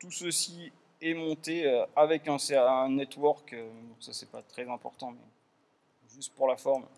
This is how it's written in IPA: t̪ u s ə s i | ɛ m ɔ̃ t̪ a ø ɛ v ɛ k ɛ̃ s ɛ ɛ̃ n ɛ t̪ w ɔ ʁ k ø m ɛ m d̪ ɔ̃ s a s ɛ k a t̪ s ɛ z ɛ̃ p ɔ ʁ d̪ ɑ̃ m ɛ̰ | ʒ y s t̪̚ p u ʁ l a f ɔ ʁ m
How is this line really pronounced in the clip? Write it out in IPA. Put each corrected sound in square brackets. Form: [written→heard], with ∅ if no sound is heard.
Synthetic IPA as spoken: t̪ u s ə s i | ɛ m ɔ̃ t̪ [a→e] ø [ɛ→a] v ɛ k ɛ̃ s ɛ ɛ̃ n ɛ t̪ w ɔ ʁ k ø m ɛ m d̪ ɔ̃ s a s ɛ [k→p] a t̪ [s→χ] ɛ z ɛ̃ p ɔ ʁ [d̪→t̪] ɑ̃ m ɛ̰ | ʒ y s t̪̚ p u ʁ l a f ɔ ʁ m